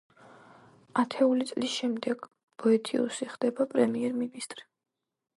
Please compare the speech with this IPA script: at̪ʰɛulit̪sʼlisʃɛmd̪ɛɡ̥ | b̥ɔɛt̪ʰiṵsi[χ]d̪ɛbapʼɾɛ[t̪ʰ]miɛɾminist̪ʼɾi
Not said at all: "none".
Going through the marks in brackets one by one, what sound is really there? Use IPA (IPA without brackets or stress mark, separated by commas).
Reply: χ, none